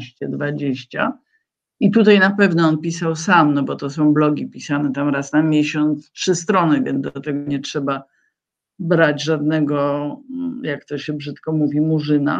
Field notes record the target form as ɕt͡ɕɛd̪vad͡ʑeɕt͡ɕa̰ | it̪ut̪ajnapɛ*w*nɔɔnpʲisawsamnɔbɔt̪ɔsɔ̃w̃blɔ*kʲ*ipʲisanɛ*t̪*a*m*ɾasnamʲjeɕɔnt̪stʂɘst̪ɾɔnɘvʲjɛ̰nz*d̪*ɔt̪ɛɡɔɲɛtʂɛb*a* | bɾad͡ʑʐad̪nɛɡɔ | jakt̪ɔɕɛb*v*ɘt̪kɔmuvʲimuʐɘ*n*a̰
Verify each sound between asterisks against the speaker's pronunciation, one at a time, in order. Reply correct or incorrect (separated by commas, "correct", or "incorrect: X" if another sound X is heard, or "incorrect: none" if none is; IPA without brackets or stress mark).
incorrect: v, incorrect: ɡʲ, correct, correct, correct, correct, incorrect: ʐ, correct